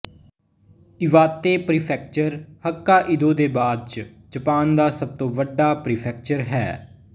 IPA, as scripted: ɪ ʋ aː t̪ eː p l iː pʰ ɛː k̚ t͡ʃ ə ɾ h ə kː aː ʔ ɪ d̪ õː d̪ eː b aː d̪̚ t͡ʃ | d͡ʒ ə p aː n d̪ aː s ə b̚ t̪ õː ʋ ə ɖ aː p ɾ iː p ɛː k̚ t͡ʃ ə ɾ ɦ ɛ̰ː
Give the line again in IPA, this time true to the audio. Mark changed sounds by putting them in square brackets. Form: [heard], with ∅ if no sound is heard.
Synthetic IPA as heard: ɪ ʋ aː t̪ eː p [ɾ] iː pʰ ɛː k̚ t͡ʃ ə ɾ h ə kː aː ʔ ɪ d̪ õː d̪ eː b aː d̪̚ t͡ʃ | d͡ʒ ə p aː n d̪ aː s ə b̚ t̪ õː ʋ ə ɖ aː p ɾ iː [pʰ] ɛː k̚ t͡ʃ ə ɾ ɦ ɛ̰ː